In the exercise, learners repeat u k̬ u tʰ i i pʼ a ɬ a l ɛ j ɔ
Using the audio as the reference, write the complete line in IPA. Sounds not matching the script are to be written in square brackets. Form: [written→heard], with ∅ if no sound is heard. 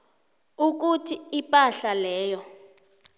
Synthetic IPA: u k̬ u tʰ i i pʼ a ɬ a l [ɛ→ɛː] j ɔ